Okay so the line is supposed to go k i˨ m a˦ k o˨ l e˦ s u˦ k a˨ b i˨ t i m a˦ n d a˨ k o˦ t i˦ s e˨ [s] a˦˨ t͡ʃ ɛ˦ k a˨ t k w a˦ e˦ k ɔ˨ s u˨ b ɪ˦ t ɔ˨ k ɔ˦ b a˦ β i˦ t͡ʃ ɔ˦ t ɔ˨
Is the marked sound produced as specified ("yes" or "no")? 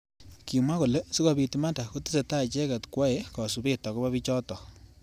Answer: no